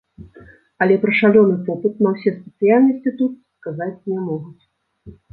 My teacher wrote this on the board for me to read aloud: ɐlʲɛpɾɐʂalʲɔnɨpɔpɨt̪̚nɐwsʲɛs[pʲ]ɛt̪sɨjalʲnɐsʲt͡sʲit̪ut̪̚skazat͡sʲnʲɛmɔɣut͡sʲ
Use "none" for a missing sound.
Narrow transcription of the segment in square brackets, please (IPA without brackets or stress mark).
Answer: pʲ